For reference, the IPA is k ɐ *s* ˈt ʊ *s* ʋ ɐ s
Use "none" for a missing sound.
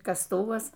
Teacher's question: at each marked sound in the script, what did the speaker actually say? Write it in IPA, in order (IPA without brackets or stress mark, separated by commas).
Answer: s, none